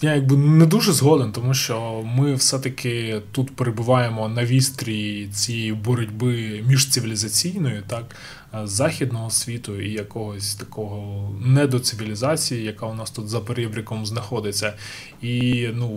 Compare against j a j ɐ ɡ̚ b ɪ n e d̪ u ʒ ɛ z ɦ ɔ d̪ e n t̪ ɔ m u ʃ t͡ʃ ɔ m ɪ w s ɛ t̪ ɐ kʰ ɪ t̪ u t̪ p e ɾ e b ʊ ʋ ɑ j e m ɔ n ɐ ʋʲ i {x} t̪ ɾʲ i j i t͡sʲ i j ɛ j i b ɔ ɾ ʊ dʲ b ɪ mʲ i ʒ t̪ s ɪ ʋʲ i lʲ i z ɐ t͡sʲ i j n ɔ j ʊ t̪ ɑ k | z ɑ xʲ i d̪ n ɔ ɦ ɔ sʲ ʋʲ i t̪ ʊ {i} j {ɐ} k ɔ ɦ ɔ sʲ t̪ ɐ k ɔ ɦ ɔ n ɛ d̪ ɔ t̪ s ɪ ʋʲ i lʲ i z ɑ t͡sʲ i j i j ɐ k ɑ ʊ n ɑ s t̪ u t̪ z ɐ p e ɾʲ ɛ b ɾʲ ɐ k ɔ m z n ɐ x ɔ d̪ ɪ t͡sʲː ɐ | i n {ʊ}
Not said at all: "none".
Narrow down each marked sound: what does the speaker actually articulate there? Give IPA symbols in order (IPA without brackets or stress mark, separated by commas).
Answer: s, i, ɐ, u